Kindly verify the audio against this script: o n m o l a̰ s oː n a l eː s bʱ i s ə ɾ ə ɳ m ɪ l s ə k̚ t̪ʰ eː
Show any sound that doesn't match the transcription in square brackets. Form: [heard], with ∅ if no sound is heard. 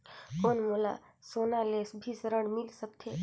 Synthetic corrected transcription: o n m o l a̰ s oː n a l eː s bʱ i s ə ɾ ə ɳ m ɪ l s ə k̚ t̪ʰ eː